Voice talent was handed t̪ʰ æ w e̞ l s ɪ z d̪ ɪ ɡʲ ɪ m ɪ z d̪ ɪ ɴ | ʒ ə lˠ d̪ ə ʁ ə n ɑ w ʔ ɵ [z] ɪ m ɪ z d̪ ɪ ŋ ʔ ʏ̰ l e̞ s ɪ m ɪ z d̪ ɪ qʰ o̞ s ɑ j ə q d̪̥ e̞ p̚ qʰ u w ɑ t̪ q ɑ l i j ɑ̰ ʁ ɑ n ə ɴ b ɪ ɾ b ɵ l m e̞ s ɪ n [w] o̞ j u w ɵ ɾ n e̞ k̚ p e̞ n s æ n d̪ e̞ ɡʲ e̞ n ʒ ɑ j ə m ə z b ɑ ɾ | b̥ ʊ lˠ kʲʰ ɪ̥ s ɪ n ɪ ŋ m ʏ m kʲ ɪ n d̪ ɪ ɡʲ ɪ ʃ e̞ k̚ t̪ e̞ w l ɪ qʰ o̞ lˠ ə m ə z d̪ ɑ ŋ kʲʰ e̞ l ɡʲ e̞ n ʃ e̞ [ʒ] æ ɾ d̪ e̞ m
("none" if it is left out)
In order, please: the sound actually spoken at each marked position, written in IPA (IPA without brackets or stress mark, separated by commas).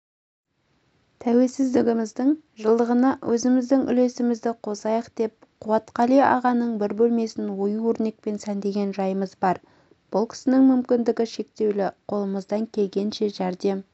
z, w, ʒ